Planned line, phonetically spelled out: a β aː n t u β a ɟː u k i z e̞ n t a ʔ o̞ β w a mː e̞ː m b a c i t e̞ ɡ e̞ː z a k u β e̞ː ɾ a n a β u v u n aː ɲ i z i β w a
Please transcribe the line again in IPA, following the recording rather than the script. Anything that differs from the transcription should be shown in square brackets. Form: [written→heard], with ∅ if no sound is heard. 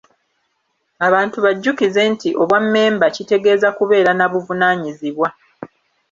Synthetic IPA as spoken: a β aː n t u β a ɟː u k i z e̞ n t [a→i] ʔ o̞ β w a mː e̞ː m b a c i t e̞ ɡ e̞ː z a k u β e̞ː ɾ a n a β u v u n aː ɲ i z i β w a